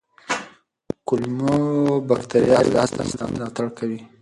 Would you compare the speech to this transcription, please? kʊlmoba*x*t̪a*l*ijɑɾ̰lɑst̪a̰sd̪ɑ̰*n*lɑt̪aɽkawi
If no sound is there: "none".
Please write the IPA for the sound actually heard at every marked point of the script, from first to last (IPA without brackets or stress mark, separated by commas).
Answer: k, ɾ, m